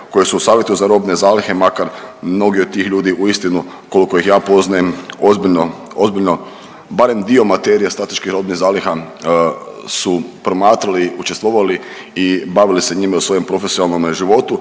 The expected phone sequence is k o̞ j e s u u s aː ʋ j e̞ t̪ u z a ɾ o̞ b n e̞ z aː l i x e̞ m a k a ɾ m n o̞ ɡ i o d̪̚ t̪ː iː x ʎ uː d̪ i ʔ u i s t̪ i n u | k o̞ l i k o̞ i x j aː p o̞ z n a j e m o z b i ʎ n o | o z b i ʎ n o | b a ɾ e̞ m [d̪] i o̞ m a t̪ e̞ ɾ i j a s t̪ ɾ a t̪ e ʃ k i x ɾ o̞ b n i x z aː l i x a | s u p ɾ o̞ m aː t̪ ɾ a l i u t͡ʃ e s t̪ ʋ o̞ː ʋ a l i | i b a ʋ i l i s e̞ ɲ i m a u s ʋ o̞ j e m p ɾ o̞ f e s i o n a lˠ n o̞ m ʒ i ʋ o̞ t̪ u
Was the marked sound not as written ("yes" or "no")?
no